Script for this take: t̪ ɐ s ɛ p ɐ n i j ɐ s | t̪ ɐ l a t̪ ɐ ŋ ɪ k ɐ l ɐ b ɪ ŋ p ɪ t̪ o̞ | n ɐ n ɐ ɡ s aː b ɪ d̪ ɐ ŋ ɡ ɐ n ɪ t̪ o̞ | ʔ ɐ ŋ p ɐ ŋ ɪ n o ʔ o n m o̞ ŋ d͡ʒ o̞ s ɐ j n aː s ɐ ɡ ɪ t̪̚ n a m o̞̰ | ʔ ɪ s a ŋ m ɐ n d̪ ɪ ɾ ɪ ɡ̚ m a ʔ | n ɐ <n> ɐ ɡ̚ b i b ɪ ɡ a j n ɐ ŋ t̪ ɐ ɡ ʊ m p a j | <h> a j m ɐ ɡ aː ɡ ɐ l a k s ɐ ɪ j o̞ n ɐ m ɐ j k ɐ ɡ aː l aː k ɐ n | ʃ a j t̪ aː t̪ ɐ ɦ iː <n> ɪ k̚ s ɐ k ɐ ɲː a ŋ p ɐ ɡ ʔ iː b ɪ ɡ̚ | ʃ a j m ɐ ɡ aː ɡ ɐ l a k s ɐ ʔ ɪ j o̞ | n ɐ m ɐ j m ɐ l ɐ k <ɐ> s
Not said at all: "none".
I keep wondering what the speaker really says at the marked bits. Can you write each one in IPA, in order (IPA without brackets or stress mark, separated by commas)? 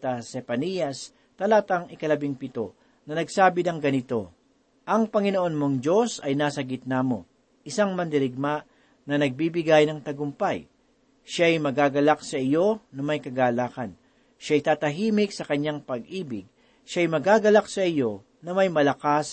n, ʃ, m, a